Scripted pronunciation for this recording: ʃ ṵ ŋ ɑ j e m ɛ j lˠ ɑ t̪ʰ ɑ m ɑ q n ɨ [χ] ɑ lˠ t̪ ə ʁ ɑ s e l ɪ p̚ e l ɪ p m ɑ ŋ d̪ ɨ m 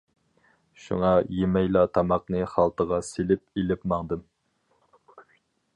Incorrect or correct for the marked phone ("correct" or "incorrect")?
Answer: correct